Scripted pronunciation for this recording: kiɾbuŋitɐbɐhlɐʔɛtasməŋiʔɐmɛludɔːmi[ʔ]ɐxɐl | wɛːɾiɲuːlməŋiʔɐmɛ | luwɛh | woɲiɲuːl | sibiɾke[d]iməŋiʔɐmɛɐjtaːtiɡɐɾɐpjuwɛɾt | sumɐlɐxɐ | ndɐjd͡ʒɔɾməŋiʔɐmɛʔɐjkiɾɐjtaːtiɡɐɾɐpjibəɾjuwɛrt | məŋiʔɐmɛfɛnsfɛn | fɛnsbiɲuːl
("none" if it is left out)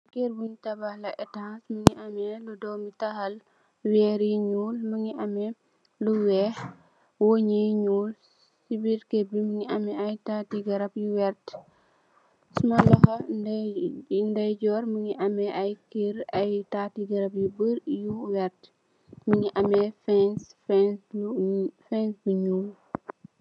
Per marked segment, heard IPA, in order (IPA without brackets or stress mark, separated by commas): t, b